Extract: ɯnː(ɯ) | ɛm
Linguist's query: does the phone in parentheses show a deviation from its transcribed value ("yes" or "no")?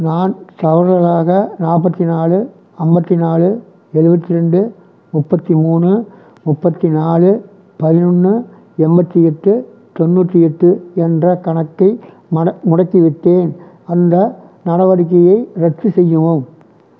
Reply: no